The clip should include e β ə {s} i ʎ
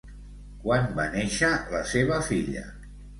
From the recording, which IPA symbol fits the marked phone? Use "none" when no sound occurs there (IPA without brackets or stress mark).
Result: f